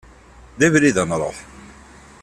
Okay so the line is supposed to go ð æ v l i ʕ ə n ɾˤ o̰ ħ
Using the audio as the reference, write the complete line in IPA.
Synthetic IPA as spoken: ð æ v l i ð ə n ɾˤ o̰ ħ